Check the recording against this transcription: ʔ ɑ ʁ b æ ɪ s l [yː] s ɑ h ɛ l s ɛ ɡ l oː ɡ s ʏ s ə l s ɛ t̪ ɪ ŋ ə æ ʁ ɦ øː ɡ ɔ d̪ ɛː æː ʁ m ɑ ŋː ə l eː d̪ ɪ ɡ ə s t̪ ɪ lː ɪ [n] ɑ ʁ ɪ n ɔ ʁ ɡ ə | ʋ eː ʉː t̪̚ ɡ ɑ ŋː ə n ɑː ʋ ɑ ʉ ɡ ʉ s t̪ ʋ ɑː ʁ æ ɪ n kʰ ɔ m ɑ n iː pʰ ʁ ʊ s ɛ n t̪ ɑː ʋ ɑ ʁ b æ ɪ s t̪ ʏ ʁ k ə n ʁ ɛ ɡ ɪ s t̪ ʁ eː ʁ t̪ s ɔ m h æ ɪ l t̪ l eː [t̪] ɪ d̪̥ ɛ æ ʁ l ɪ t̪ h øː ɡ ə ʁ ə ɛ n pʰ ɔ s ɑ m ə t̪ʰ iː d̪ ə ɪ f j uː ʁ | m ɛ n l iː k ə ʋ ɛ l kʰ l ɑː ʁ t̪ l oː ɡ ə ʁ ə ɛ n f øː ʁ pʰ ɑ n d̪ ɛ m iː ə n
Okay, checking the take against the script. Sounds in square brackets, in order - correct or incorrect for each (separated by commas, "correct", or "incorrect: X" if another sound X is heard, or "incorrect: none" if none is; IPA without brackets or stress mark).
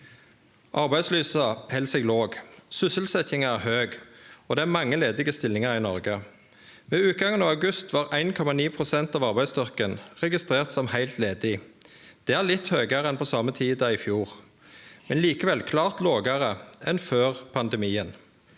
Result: correct, incorrect: ŋ, incorrect: d̪